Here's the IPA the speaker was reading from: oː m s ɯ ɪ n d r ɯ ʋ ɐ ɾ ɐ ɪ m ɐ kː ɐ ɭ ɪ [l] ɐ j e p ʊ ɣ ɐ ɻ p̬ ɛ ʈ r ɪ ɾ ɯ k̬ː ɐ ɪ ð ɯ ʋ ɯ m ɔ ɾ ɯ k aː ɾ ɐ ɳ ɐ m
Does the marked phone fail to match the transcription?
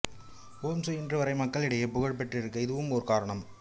yes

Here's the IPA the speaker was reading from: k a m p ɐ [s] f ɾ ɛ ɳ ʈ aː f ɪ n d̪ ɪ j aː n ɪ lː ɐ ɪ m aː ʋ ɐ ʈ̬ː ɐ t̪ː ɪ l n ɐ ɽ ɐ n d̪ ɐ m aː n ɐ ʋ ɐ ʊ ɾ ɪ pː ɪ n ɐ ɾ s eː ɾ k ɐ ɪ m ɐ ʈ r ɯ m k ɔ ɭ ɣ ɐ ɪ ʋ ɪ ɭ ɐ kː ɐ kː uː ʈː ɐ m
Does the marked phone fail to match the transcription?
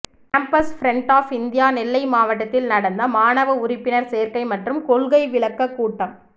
no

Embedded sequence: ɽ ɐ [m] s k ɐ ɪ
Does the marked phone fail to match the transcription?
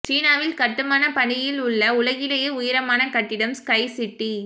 no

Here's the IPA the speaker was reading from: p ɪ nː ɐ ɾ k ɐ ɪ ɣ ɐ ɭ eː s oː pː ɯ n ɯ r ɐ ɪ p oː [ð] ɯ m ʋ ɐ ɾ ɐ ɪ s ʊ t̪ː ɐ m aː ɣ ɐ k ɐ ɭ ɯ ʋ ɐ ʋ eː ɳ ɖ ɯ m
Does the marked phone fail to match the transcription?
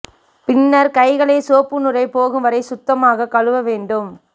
yes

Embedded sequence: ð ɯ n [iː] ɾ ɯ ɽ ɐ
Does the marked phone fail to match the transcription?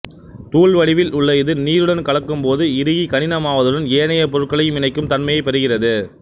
no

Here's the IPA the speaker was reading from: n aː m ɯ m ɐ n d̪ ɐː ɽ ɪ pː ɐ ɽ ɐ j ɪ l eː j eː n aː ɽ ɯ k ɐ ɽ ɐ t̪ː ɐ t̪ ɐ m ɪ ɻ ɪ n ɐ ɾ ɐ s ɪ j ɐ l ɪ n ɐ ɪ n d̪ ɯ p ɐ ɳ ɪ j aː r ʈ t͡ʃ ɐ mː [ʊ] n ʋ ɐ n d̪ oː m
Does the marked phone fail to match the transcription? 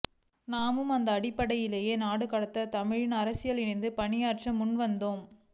no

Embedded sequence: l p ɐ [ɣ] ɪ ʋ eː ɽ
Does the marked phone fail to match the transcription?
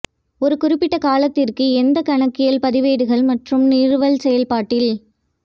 yes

